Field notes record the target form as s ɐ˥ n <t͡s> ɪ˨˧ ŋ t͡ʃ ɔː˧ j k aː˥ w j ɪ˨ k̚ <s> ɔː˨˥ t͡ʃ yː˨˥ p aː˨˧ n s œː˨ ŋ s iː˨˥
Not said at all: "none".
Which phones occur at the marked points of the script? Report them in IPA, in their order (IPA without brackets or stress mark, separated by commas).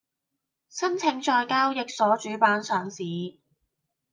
t͡sʰ, s